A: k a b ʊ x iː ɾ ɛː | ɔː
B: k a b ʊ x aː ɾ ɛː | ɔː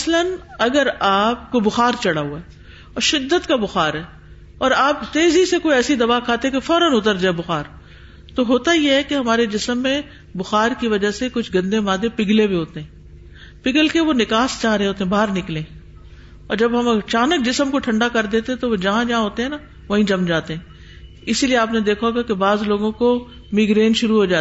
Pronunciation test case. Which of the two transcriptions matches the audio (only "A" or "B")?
B